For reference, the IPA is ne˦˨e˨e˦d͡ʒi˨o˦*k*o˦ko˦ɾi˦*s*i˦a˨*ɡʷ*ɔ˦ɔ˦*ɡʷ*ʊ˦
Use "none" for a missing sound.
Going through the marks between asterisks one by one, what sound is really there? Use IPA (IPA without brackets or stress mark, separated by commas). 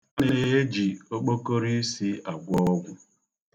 k͡p, s, ɡʷ, ɡʷ